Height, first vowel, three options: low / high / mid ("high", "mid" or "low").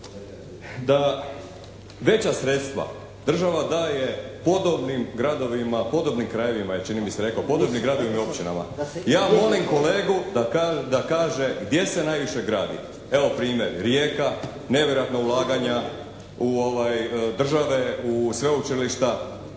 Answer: low